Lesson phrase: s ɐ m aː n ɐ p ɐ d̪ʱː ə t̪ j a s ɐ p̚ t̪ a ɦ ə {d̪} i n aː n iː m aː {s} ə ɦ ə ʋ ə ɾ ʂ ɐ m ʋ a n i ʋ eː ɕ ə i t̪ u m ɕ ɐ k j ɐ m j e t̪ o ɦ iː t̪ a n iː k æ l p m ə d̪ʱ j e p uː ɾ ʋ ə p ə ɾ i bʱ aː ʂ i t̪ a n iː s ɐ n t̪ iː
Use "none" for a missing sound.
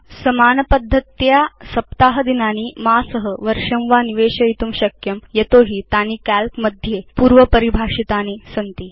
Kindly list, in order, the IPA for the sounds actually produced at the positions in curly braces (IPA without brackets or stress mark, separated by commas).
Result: d̪, s